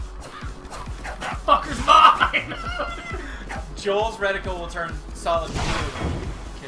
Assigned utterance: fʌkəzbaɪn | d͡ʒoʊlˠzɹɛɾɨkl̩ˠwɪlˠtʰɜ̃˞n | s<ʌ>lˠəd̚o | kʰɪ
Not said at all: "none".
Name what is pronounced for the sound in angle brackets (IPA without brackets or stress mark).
ɑ